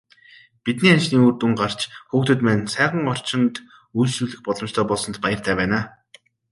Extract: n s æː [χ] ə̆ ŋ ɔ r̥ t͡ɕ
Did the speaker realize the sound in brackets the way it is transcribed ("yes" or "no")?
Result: no